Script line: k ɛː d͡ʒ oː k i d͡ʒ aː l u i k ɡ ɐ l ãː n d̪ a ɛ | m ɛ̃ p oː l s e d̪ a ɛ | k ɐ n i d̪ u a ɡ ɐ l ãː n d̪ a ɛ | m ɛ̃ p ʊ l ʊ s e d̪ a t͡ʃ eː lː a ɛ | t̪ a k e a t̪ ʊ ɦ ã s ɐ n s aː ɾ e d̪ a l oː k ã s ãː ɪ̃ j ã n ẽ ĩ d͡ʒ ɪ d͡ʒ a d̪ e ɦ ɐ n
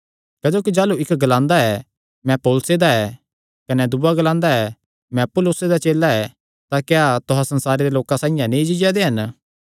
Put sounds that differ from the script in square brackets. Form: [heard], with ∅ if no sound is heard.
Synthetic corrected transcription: k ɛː d͡ʒ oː k i d͡ʒ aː l u [ɪ] k ɡ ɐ l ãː n d̪ a ɛ | m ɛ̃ p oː l s e d̪ a ɛ | k ɐ n [ɛ] d̪ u a ɡ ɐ l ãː n d̪ a ɛ | m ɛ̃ p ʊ l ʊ s e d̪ a t͡ʃ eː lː a ɛ | t̪ a k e a t̪ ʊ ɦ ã s ɐ n s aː ɾ e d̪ [e] l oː k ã s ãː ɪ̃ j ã n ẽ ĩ d͡ʒ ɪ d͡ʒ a d̪ e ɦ ɐ n